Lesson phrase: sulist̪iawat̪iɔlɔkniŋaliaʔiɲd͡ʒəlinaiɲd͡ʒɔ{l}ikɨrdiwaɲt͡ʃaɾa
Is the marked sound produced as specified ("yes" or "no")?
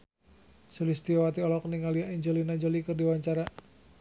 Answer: yes